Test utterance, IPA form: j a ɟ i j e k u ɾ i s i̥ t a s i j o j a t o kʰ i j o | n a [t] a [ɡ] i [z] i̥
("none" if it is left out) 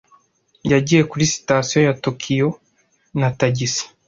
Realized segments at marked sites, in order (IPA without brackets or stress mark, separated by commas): t, ɟ, s